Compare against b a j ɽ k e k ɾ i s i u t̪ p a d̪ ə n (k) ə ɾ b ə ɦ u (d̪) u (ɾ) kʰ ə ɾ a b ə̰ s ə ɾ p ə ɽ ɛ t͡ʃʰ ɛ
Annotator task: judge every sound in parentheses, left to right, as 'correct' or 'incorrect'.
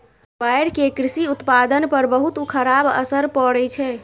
incorrect, incorrect, incorrect

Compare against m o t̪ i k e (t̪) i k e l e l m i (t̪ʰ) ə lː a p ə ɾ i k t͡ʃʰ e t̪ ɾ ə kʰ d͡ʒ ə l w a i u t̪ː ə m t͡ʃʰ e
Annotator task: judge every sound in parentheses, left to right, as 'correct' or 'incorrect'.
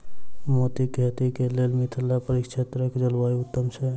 correct, correct

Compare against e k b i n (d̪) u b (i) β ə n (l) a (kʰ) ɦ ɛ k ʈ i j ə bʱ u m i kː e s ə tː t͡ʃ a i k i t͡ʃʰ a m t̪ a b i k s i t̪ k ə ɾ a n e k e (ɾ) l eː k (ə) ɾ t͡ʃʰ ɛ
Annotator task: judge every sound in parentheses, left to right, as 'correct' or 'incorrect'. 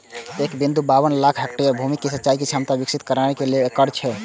correct, incorrect, correct, correct, incorrect, correct

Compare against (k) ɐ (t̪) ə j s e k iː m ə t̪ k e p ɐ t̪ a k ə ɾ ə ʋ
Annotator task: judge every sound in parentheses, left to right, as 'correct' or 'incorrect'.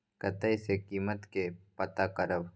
correct, correct

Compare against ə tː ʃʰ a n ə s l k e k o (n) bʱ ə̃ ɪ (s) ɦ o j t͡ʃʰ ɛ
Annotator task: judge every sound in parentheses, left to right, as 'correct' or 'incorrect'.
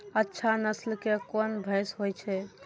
correct, correct

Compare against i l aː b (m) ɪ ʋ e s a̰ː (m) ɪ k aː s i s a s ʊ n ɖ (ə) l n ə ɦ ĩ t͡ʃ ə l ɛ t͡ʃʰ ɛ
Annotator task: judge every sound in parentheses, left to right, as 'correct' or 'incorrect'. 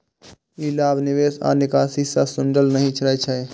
incorrect, incorrect, correct

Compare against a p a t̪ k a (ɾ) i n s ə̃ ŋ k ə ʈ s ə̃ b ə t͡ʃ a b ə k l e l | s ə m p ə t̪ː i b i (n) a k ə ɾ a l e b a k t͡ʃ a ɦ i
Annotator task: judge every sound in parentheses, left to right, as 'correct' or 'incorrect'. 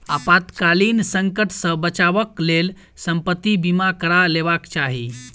incorrect, incorrect

